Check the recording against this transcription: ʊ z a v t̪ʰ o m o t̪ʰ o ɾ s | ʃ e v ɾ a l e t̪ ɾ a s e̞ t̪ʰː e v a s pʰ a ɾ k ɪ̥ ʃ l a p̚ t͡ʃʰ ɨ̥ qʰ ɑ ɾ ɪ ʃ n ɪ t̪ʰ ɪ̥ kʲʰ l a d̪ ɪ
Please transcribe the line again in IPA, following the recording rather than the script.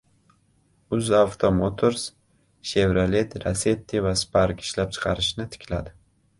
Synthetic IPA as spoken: ʊ z a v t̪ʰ o m o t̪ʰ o ɾ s | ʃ e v ɾ a l e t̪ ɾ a s e̞ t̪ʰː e v a s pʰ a ɾ k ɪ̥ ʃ l a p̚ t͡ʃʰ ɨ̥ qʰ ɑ ɾ ɪ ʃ n ɪ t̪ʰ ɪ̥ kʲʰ l a d̪ ɪ